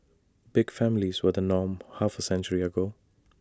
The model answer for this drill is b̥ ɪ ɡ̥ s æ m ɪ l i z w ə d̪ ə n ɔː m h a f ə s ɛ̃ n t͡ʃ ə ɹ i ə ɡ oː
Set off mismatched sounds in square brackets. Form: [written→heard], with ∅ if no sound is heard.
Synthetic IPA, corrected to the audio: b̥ ɪ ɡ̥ [s→f] æ m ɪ l i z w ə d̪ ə n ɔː m h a f ə s ɛ̃ n t͡ʃ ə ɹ i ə ɡ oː